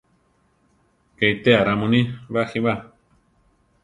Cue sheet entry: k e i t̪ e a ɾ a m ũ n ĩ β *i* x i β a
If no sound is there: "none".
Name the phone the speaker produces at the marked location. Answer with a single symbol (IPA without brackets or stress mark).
a